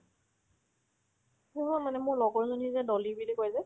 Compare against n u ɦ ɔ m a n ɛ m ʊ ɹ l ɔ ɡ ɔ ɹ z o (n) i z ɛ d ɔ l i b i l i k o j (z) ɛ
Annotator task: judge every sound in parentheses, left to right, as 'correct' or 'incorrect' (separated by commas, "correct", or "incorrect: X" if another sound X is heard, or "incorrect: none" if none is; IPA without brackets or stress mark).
correct, correct